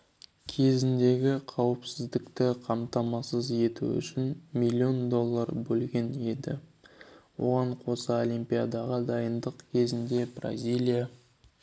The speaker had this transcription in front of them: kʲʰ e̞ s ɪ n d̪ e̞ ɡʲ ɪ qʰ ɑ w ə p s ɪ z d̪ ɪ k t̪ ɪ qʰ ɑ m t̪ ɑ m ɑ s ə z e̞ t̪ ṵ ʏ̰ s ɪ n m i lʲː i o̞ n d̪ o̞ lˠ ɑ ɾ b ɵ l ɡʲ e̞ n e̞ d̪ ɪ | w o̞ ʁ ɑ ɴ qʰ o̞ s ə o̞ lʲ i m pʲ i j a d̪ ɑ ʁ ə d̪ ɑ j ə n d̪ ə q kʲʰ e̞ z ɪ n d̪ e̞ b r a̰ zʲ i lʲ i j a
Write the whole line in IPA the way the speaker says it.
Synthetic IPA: kʲʰ e̞ z ɪ n d̪ e̞ ɡʲ ɪ qʰ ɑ w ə p s ɪ z d̪ ɪ k t̪ ɪ qʰ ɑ m t̪ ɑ m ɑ s ə z e̞ t̪ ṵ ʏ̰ ʃ ɪ n m i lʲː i o̞ n d̪ o̞ lˠː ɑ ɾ b ɵ l ɡʲ e̞ n e̞ d̪ ɪ | w o̞ ʁ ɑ ɴ qʰ o̞ s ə o̞ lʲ i m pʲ i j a d̪ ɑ ʁ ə d̪ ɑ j ə n d̪ ə q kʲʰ e̞ z ɪ n d̪ e̞ b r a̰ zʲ i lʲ i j a